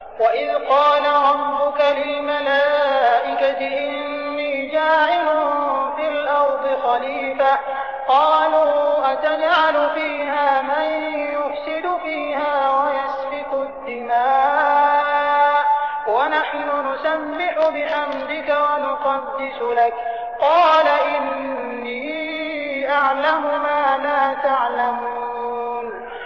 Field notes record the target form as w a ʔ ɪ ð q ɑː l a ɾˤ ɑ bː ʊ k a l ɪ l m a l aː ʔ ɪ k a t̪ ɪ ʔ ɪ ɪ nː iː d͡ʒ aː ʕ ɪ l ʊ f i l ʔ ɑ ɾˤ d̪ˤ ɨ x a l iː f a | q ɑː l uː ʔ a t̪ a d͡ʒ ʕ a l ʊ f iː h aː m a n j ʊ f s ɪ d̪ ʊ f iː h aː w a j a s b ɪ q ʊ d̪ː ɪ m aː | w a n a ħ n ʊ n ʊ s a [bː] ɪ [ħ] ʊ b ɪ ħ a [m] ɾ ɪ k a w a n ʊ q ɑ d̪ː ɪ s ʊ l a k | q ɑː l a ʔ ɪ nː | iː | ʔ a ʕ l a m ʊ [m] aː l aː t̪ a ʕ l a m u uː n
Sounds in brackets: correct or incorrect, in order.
incorrect: mː, correct, correct, correct

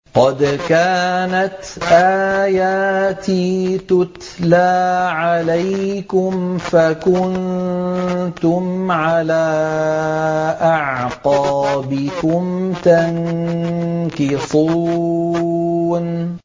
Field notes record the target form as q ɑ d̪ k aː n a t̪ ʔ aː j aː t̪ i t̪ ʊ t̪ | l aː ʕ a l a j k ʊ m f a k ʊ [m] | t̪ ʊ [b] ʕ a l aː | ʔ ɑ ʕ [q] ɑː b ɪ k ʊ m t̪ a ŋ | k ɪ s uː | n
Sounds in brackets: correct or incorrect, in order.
incorrect: n, incorrect: m, correct

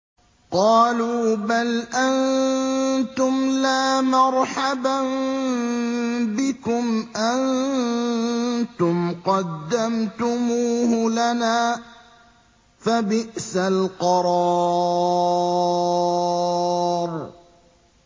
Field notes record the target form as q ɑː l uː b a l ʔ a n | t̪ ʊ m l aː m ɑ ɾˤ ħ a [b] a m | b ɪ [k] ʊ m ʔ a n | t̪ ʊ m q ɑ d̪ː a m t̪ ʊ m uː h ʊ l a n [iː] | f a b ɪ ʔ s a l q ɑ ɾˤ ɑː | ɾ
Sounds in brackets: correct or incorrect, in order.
correct, correct, incorrect: aː

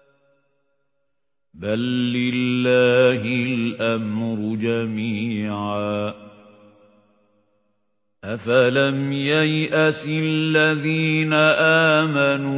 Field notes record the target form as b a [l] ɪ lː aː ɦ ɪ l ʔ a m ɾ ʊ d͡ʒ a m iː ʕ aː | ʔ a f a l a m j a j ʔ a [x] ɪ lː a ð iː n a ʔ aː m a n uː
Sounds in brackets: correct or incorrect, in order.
incorrect: lː, incorrect: s

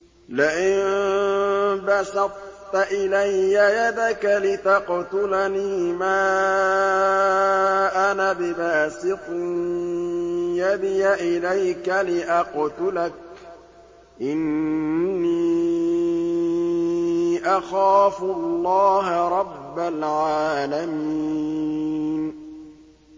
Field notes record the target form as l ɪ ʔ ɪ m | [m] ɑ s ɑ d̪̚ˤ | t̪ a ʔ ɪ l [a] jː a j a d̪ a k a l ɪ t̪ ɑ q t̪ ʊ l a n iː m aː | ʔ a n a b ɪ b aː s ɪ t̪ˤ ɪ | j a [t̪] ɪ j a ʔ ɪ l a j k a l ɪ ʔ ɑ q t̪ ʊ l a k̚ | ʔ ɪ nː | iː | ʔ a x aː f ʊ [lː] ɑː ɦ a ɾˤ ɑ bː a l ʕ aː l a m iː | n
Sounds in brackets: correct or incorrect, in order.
incorrect: b, correct, incorrect: d̪, correct

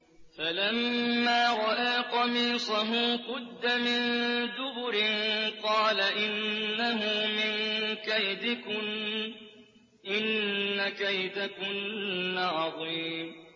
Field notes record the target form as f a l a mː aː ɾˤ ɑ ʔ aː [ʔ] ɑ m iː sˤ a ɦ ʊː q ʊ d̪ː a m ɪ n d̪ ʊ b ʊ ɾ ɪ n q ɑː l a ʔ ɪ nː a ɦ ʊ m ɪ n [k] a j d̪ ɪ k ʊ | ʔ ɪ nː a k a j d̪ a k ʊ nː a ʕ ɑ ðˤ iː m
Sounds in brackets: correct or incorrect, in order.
incorrect: q, correct

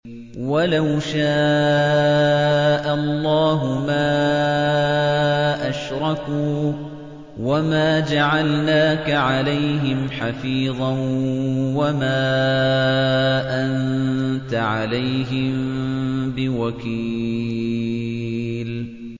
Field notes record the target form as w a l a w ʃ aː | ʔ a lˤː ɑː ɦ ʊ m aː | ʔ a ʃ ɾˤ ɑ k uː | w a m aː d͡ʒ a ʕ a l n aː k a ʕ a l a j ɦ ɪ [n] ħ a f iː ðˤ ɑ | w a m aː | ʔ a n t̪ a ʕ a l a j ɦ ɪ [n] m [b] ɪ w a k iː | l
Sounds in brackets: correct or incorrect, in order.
incorrect: m, incorrect: m, correct

